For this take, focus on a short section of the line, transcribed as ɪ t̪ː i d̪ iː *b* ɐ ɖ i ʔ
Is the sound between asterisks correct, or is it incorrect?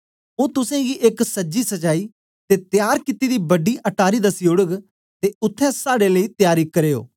correct